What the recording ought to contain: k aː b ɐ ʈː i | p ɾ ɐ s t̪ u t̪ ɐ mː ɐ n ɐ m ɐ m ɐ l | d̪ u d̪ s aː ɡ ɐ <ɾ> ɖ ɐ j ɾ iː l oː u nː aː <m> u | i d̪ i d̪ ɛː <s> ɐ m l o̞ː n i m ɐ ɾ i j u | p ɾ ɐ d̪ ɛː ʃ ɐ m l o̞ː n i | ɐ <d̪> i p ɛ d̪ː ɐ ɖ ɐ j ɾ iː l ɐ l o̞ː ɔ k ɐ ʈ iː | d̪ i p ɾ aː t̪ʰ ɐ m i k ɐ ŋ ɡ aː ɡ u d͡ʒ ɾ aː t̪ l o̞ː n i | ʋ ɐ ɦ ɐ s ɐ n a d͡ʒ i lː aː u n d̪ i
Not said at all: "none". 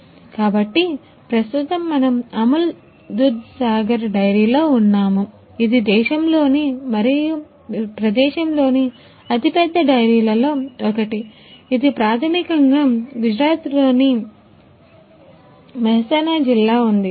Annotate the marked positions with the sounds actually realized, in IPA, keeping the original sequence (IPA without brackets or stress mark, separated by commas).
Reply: ɾ, m, ʃ, t̪